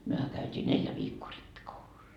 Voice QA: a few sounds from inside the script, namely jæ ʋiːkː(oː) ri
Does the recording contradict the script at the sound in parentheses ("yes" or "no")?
no